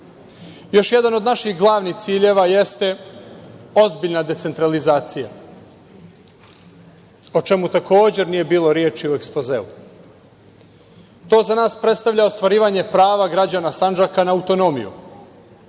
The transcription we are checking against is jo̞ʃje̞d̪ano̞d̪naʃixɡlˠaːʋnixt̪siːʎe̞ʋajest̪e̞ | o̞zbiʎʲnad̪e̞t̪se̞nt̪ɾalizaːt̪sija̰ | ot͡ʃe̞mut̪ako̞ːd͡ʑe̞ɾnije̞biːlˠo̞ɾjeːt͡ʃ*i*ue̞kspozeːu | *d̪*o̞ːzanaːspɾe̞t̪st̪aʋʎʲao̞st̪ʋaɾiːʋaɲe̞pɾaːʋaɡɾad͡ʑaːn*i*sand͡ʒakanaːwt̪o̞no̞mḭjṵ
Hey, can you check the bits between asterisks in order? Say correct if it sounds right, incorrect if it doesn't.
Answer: correct, incorrect, incorrect

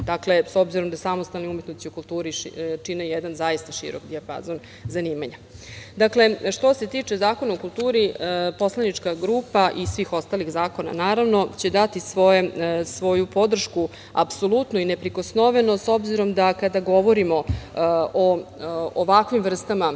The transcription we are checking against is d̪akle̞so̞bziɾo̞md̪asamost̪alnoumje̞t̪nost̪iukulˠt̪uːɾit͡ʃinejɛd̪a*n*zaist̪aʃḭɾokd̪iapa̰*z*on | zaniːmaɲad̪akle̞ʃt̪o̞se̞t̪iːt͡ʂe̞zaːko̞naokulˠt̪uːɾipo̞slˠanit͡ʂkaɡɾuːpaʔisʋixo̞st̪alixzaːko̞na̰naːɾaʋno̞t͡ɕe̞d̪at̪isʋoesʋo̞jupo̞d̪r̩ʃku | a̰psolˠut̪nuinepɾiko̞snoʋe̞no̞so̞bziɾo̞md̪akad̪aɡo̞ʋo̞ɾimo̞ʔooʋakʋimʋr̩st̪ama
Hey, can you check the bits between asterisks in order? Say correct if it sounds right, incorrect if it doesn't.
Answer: correct, correct

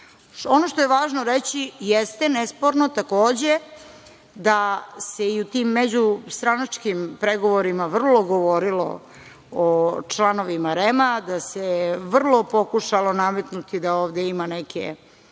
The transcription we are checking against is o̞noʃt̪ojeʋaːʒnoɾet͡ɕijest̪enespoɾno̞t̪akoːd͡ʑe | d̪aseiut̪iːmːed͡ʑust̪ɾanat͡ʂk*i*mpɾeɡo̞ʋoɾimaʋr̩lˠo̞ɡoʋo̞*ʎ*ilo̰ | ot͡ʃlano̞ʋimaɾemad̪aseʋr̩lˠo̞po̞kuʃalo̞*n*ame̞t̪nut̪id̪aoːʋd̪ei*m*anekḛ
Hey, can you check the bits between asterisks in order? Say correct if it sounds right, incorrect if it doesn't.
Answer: correct, incorrect, correct, correct

